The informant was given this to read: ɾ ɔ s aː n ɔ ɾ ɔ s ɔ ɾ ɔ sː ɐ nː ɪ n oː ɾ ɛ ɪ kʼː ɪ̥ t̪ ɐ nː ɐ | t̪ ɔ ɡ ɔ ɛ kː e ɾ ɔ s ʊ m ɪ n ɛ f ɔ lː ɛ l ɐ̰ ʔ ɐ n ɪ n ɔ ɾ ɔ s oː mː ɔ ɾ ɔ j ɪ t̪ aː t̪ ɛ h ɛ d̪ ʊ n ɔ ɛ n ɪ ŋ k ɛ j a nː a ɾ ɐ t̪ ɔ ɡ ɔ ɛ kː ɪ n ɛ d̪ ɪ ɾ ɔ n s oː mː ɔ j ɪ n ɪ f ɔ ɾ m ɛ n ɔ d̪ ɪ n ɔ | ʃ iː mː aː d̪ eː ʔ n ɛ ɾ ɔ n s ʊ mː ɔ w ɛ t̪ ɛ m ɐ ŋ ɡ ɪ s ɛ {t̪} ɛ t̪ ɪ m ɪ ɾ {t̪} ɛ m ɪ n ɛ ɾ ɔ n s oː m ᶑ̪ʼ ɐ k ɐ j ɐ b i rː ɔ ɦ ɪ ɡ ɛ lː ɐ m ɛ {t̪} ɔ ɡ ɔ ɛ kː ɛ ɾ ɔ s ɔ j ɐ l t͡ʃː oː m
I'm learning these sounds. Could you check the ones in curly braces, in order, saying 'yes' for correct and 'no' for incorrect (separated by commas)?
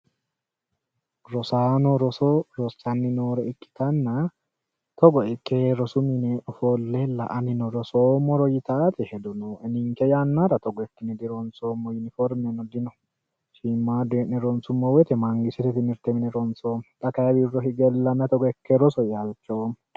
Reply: yes, yes, yes